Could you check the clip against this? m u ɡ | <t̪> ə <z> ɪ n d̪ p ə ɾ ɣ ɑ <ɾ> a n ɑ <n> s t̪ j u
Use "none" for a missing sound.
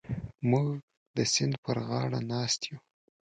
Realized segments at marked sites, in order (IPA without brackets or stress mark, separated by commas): d̪, s, ɽ, none